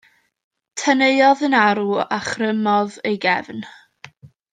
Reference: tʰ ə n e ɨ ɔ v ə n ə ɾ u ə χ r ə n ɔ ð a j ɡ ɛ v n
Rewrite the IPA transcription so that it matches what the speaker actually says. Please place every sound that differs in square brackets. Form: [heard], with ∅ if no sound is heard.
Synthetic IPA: tʰ ə n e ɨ ɔ [ð] ə n [a] ɾ u [a] χ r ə [m] ɔ ð [e] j ɡ ɛ v n